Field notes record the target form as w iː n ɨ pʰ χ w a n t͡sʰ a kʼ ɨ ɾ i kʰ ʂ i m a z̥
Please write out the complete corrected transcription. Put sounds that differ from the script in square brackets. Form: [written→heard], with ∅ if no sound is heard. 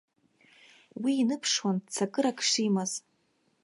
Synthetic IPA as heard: w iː n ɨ pʰ [χ→ʂ] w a n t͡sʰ a kʼ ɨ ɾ [i→a] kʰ ʂ i m a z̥